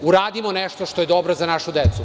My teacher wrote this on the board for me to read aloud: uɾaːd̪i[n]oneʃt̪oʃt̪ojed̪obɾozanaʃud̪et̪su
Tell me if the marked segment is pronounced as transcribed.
no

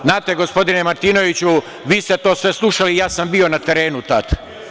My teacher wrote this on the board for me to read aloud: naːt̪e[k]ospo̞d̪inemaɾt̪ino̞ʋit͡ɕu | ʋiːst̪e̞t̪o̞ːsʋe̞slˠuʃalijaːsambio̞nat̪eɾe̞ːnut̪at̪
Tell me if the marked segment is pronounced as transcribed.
no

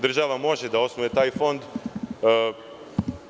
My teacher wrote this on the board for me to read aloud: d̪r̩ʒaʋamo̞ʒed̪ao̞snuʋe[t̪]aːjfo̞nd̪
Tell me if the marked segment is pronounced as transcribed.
yes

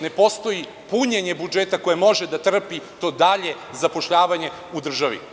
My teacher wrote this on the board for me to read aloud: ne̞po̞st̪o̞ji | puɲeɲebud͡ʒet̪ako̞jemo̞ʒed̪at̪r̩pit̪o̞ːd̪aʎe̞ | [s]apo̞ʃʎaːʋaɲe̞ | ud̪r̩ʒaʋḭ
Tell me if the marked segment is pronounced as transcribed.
no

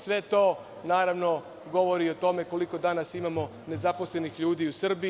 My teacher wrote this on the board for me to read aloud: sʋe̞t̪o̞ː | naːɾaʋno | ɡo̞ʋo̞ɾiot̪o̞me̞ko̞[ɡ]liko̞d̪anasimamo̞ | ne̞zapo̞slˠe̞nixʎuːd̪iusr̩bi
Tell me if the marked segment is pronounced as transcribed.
no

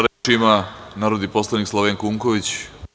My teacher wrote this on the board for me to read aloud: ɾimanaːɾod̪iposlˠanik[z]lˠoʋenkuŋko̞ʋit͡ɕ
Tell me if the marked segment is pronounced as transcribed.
no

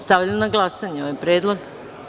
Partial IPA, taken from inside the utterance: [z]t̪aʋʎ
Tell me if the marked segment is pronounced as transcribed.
no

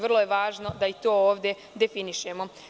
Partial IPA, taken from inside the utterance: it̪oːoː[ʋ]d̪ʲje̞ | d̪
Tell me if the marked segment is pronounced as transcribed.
yes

